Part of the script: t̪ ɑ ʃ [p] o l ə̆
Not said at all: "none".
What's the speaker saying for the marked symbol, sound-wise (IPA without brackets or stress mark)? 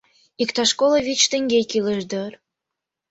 k